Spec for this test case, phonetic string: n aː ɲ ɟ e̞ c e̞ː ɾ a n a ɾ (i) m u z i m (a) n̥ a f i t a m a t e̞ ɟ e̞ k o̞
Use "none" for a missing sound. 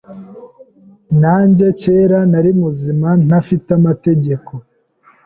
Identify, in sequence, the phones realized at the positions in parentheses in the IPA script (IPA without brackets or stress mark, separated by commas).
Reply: i, a